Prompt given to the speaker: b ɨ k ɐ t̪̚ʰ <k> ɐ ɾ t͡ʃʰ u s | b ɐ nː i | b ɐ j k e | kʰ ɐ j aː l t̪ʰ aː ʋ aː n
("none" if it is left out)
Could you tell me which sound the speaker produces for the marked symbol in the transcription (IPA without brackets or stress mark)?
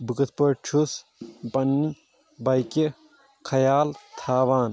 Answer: p